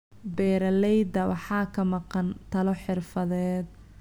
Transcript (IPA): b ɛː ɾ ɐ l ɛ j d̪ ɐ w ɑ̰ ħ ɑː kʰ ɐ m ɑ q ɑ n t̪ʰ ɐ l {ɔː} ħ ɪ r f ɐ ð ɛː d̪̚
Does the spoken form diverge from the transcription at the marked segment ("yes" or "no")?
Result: yes